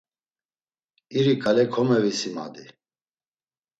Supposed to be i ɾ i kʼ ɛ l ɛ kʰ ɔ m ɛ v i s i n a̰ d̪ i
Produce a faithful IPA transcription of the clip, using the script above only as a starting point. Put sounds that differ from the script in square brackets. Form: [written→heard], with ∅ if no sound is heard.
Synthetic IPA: i ɾ i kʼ [ɛ→a] l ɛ kʰ ɔ m ɛ v i s i [n→m] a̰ d̪ i